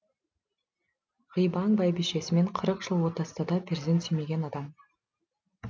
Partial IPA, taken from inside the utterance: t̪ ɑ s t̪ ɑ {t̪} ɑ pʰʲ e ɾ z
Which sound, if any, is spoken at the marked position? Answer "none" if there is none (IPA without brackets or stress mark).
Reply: d̪